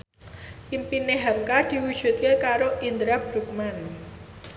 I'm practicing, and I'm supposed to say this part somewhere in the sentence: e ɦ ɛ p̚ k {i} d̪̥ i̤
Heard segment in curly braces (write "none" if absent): a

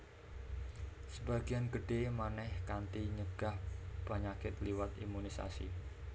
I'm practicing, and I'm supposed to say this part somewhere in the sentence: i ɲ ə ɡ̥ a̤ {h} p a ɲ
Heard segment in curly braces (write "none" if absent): h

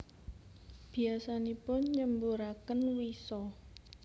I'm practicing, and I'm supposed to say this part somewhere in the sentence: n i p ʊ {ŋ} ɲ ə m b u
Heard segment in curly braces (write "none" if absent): n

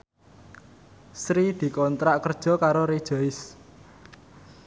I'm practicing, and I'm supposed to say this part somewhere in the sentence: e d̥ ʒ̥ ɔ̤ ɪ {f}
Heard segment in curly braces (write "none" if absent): s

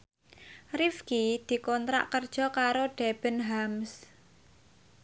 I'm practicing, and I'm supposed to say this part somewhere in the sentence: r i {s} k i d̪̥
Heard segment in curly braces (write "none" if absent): f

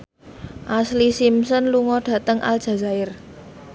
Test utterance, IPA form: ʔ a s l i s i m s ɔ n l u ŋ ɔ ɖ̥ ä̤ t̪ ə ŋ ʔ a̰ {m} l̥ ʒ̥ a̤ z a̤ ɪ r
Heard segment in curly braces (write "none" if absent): none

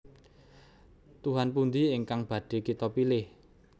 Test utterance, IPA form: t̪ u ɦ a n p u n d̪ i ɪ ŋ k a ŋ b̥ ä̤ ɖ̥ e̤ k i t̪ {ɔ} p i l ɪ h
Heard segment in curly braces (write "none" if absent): ɔ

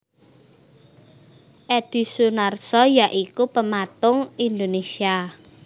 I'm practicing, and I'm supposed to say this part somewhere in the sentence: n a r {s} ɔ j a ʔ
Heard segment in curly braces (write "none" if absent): s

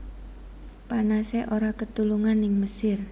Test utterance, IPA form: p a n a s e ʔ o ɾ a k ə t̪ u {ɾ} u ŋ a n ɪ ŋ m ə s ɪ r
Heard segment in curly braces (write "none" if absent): l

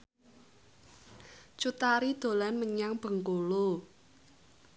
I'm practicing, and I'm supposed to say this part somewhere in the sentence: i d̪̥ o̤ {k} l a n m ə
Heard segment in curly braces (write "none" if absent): none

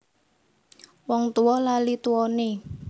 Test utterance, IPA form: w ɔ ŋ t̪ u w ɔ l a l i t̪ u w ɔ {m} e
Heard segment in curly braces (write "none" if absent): n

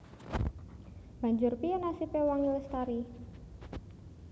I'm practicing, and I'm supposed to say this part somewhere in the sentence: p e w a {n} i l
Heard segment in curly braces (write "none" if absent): ŋ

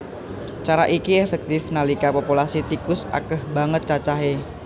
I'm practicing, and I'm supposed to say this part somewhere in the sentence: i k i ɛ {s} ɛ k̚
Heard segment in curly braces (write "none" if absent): f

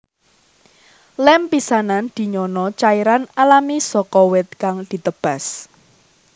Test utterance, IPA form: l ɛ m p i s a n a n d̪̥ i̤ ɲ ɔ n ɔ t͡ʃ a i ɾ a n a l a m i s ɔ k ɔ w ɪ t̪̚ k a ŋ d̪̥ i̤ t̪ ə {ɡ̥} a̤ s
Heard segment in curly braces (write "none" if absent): b̥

